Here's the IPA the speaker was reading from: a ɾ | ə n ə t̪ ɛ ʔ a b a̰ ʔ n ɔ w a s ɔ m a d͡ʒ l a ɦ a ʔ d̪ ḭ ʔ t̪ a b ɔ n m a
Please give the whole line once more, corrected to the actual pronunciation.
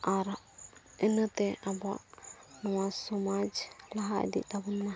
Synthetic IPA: a ɾ | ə n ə t̪ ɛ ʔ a b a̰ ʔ n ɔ w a s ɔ m a d͡ʒ l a ɦ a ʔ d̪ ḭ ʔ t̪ a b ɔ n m a